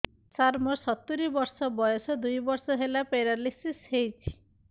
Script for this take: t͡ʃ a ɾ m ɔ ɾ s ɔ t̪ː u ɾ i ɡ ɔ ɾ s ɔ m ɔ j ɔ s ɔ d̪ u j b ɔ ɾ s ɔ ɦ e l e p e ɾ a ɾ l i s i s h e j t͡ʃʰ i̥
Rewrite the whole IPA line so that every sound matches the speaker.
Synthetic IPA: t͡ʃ a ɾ m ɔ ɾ s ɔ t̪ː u ɾ i b ɔ ɾ s ɔ b ɔ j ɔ s ɔ d̪ u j b ɔ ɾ s ɔ ɦ e l a p e ɾ a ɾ l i s i s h e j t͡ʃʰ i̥